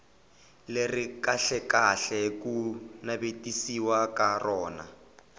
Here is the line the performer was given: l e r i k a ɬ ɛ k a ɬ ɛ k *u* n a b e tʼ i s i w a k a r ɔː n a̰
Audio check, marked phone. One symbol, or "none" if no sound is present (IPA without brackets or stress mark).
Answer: u